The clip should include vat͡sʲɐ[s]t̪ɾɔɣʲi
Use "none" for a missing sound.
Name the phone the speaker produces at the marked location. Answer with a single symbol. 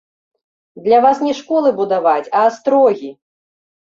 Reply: s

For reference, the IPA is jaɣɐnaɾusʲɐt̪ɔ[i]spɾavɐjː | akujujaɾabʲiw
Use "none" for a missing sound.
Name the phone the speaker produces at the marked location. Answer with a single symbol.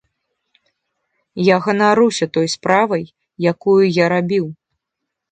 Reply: j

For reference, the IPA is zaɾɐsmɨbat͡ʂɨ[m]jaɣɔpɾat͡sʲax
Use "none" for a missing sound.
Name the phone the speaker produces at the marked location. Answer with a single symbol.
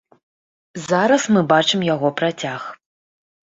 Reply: m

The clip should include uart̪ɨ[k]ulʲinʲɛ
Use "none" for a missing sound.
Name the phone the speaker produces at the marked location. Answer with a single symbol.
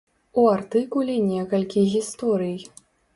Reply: k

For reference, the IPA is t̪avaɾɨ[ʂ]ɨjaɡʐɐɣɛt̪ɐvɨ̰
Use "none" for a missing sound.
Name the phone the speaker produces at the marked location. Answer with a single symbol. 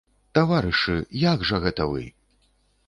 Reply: ʂ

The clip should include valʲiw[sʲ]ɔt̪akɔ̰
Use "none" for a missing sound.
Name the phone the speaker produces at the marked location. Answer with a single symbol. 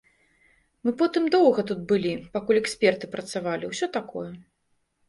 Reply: sʲ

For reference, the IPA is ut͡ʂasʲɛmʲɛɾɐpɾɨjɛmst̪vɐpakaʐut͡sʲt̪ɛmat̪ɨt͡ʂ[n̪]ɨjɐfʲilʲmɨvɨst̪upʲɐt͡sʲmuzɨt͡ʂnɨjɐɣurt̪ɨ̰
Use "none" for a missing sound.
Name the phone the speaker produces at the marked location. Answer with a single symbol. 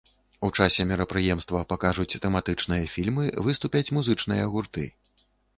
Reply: n̪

